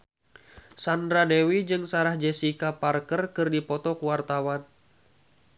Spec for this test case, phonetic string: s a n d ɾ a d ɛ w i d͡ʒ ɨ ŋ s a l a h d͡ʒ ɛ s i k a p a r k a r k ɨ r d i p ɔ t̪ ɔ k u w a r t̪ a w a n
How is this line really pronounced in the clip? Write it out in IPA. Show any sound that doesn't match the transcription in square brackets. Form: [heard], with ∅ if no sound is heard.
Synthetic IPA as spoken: s a n d ɾ a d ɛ w i d͡ʒ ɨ ŋ s a [ɾ] a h d͡ʒ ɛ s i k a p a r k [ə] r k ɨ r d i p ɔ t̪ ɔ k u w a r t̪ a w a n